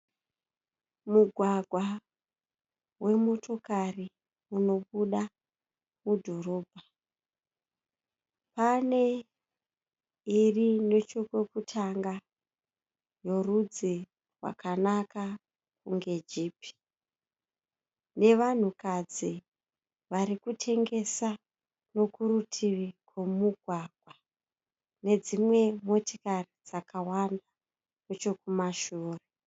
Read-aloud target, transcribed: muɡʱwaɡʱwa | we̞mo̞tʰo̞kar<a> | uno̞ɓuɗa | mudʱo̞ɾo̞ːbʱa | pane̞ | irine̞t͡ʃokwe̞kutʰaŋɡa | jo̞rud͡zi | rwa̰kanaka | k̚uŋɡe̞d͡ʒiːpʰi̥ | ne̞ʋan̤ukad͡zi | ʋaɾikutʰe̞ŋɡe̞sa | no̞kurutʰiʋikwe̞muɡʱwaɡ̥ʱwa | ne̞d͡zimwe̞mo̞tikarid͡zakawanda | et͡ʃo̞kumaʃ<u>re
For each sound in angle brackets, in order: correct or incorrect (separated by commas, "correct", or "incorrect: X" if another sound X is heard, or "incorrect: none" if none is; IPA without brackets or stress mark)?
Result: incorrect: i, incorrect: uː